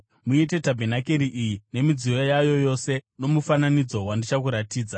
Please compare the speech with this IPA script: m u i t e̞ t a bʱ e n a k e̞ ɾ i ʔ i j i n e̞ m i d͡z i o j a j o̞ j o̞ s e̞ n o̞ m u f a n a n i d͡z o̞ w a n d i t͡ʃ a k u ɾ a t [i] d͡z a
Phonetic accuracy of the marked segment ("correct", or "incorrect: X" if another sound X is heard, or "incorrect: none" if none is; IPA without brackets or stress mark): incorrect: iː